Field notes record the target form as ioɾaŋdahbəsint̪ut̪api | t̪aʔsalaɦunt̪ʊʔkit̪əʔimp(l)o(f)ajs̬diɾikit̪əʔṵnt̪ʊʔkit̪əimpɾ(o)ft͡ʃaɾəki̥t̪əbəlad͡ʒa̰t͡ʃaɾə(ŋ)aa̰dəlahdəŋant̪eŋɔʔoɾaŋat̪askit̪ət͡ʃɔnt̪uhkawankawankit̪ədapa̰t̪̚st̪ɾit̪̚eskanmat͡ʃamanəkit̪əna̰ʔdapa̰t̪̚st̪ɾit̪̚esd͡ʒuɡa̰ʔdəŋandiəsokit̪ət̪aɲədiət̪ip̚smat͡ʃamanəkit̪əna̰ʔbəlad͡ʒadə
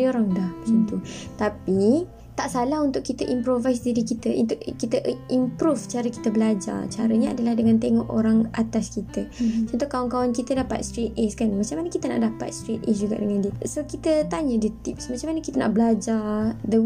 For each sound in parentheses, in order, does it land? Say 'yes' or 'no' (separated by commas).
no, no, no, no